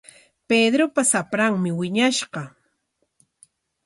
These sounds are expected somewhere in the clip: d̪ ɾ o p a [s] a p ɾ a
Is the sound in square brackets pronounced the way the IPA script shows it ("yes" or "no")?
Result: yes